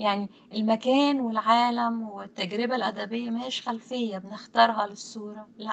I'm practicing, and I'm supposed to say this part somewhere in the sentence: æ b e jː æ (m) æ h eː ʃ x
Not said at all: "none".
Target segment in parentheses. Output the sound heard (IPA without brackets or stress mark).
m